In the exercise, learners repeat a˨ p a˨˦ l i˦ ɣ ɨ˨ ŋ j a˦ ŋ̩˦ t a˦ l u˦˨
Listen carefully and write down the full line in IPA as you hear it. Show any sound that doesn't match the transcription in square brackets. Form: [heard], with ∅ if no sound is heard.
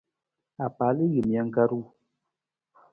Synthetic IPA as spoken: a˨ p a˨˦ l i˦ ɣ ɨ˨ [m] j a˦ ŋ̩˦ [k] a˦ [ɾ] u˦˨